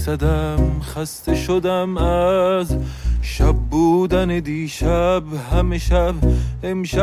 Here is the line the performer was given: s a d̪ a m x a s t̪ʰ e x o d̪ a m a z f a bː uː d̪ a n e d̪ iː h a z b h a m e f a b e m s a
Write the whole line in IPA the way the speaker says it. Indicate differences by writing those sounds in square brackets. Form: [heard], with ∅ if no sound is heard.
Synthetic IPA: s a d̪ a m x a s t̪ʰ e [ʃ] o d̪ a m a z [ʃ] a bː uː d̪ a n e d̪ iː [ʃ] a [∅] b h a m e [ʃ] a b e m [ʃ] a